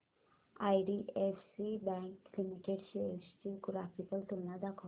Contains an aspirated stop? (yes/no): yes